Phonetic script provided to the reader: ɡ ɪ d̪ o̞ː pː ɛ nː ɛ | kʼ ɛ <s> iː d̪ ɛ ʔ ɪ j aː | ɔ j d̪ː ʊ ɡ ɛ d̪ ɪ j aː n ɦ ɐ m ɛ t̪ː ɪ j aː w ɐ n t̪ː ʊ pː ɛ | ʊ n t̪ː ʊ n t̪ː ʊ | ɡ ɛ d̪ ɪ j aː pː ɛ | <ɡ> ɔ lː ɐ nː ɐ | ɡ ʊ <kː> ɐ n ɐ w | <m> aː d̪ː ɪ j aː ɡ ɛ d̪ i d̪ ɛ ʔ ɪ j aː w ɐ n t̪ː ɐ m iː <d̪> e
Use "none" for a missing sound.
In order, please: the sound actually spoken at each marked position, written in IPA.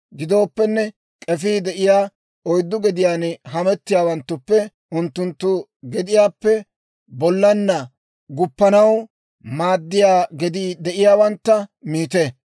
f, b, pː, m, t̪

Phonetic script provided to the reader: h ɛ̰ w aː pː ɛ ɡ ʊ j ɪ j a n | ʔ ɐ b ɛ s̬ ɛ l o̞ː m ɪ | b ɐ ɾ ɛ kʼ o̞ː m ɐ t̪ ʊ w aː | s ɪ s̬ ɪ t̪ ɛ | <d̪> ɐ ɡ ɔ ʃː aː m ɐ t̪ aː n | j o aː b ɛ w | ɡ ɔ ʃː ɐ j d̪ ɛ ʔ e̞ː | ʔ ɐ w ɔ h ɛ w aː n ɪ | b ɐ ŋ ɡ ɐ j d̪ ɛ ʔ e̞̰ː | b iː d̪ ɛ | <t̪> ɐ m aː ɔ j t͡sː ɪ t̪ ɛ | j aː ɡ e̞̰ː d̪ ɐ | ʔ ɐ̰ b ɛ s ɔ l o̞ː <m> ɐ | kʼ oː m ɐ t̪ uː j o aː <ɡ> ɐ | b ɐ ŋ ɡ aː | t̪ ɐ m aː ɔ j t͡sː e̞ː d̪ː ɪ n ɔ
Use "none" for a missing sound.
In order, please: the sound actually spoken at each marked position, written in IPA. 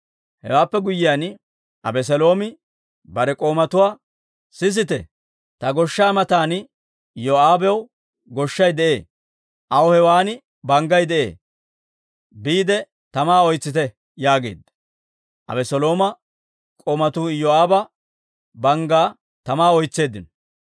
t̪, t̪, m, b

